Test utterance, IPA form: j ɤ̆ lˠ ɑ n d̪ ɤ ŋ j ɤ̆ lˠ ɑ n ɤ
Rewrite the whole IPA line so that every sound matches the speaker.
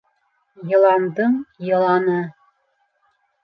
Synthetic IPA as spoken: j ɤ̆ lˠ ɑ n d̪ ɤ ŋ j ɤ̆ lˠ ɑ n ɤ